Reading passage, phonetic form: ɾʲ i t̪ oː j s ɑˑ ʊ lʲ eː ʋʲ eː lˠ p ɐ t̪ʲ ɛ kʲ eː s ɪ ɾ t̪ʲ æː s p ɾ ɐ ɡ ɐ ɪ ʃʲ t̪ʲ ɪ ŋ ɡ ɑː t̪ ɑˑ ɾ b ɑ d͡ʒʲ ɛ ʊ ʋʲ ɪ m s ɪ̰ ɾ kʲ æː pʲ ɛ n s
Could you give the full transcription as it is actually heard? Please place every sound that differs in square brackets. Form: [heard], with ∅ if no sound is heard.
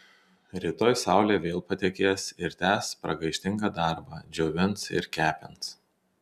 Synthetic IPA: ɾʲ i t̪ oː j s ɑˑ ʊ lʲ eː ʋʲ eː lˠ p ɐ t̪ʲ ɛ kʲ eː s ɪ ɾ t̪ʲ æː s p ɾ ɐ ɡ ɐ ɪ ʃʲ t̪ʲ ɪ ŋ ɡ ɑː [d̪] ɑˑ ɾ b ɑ d͡ʒʲ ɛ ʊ ʋʲ ɪ [n] s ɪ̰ ɾ kʲ æː pʲ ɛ n s